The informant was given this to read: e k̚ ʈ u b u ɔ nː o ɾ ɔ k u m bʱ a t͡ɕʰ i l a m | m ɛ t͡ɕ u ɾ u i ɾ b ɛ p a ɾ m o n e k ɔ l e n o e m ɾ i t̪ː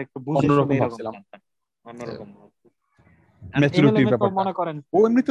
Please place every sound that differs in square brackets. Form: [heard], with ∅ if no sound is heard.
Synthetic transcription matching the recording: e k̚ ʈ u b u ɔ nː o ɾ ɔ k [o] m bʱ a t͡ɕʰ i l a m | m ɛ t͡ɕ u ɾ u i ɾ b ɛ p a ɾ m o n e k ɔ [ɾ] e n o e m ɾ i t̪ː